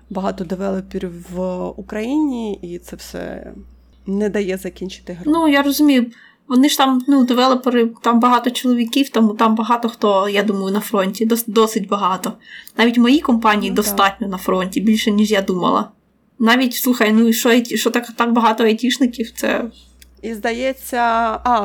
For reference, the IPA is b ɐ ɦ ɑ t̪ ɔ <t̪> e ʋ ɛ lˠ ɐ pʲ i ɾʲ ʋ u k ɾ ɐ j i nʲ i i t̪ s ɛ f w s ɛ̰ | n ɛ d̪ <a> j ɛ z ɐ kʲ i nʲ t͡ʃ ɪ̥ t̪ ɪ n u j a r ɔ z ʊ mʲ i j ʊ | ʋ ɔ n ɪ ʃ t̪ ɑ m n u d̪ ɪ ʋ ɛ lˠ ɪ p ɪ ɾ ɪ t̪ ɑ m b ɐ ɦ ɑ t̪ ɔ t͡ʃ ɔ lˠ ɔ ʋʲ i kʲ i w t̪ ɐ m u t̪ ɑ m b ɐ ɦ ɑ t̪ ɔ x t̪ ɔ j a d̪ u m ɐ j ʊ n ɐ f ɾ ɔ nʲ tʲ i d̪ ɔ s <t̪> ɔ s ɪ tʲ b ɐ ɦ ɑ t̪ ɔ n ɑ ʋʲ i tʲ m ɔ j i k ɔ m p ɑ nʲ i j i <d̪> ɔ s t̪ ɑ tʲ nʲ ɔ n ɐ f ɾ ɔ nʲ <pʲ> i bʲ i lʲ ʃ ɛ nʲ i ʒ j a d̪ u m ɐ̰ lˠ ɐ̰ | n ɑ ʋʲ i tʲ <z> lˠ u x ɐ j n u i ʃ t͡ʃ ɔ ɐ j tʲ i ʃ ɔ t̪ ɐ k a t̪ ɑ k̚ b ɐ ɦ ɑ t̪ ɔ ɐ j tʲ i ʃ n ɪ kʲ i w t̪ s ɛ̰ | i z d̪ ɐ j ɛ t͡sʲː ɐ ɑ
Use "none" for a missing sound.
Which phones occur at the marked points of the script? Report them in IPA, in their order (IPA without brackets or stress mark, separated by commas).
d̪, ɐ, d̪, d̪, tʲ, s